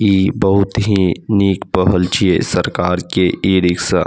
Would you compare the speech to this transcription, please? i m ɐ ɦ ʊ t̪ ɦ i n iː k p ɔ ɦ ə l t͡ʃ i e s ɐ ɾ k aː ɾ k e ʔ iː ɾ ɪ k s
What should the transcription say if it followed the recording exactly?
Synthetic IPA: i b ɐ ɦ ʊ t̪ ɦ i n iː k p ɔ ɦ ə l t͡ʃ i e s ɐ ɾ k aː ɾ k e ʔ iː ɾ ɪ k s